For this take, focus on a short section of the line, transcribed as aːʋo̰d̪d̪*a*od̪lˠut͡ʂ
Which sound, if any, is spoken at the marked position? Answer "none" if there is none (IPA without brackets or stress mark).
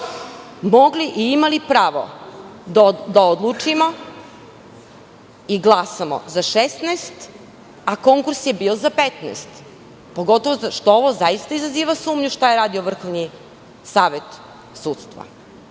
a